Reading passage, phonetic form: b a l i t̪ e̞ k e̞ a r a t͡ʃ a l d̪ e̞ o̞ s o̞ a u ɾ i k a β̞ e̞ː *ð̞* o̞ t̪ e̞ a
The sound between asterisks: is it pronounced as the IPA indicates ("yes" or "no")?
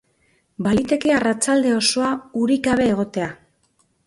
no